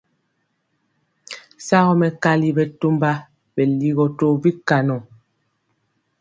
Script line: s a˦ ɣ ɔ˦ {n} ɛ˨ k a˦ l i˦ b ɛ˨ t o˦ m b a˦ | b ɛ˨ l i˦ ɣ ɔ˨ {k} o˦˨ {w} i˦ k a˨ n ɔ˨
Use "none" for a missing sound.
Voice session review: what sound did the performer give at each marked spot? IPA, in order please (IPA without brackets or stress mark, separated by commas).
m, t, b